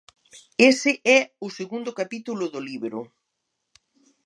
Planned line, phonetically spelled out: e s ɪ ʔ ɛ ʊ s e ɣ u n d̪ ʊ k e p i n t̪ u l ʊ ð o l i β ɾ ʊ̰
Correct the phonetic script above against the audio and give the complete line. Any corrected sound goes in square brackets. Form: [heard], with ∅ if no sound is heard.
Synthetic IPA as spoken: e s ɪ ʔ ɛ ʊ s e ɣ u n d̪ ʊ k [a] p i [∅] t̪ u l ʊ ð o l i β ɾ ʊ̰